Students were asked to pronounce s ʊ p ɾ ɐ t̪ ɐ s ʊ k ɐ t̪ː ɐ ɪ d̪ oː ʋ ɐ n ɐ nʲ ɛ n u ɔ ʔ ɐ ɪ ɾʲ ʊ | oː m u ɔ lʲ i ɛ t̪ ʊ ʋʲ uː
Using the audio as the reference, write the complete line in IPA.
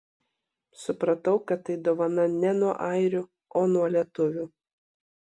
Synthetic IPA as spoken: s ʊ p ɾ ɐ t̪ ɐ ʊ k ɐ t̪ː ɐ ɪ d̪ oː ʋ ɐ n ɐ nʲ ɛ n u ɔ ʔ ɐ ɪ ɾʲ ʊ | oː n u ɔ lʲ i ɛ t̪ ʊ ʋʲ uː

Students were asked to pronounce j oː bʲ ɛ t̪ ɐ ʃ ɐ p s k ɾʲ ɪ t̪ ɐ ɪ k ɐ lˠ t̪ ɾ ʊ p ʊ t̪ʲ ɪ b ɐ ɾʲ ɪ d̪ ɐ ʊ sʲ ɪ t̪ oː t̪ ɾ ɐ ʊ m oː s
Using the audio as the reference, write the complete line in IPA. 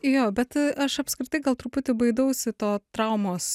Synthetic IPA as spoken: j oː bʲ ɛ t̪ ɐ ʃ ɐ p s k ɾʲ ɪ t̪ ɐ ɪ ɡ ɐ lˠ t̪ ɾ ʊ p ʊ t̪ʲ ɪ b ɐ ɪ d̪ ɐ ʊ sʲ ɪ t̪ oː t̪ ɾ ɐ ʊ m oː s

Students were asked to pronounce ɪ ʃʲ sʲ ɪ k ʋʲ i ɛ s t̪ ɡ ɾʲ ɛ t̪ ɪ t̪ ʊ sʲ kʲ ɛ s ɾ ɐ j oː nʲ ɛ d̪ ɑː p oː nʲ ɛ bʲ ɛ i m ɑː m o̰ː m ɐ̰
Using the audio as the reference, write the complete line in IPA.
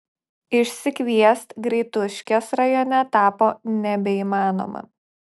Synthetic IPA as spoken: ɪ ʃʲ sʲ ɪ k ʋʲ i ɛ s t̪ ɡ ɾʲ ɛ ɪ t̪ ʊ ʃʲ kʲ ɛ s ɾ ɐ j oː nʲ ɛ t̪ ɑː p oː nʲ ɛ bʲ ɛ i m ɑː n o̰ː m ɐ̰

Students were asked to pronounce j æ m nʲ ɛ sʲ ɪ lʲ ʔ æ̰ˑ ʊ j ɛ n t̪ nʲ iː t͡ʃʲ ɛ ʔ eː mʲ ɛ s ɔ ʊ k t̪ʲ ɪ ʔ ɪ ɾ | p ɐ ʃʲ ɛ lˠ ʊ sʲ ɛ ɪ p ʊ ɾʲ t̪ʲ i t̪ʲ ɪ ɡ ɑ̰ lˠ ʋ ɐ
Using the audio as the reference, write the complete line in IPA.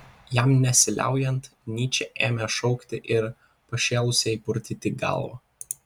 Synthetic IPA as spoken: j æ m nʲ ɛ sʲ ɪ lʲ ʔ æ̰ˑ ʊ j ɛ n t̪ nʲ iː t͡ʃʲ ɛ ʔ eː mʲ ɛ ʃ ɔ ʊ k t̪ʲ ɪ ʔ ɪ ɾ | p ɐ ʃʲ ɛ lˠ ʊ sʲ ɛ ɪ p ʊ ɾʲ t̪ʲ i t̪ʲ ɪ ɡ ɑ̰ lˠ ʋ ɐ

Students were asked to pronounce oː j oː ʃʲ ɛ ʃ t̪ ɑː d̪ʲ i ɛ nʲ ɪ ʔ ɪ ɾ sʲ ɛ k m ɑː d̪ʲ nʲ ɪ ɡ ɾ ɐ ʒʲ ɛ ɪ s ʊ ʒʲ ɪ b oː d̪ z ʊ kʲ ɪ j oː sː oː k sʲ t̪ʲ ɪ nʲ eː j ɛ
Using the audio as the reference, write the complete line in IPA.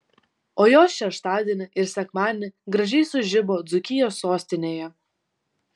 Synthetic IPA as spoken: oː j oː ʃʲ ɛ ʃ t̪ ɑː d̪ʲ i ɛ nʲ ɪ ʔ ɪ ɾ sʲ ɛ k m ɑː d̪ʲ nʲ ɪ ɡ ɾ ɐ ʒʲ ɛ ɪ s ʊ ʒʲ ɪ b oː d̪ z ʊ kʲ ɪ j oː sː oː sʲ t̪ʲ ɪ nʲ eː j ɛ

